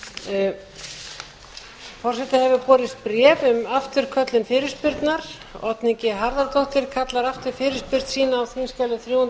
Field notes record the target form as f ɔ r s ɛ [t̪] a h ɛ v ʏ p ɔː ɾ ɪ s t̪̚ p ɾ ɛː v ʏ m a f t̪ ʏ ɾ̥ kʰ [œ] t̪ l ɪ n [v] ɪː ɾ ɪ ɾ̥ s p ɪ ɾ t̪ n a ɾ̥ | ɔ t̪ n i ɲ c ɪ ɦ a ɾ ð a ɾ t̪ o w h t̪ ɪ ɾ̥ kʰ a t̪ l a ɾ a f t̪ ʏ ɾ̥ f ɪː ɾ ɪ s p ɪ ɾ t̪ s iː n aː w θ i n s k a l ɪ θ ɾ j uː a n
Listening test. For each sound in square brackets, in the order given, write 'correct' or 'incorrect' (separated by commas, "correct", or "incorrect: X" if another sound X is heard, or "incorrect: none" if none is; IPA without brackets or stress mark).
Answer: correct, correct, incorrect: f